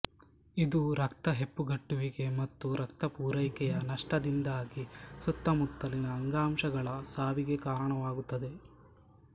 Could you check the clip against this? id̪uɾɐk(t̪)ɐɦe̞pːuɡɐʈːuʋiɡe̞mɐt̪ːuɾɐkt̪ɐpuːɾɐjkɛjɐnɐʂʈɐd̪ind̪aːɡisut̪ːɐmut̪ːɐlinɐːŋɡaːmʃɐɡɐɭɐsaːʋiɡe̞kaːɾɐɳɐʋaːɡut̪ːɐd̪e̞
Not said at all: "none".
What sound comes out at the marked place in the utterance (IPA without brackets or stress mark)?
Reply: t̪